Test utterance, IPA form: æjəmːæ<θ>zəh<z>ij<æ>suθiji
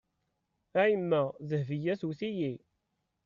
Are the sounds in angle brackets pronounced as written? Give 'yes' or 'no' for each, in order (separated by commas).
no, no, yes